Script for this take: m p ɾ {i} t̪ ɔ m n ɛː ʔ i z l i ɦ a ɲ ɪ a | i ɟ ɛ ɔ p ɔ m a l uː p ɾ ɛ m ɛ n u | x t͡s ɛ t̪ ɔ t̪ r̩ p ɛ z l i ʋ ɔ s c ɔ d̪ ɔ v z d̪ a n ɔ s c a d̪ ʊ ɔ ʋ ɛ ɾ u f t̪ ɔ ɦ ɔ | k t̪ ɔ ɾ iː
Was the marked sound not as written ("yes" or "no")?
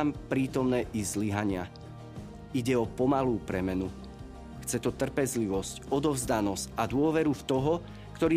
yes